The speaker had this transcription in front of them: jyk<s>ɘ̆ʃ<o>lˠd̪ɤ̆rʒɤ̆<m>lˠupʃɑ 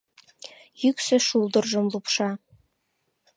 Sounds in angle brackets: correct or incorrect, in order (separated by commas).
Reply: correct, incorrect, correct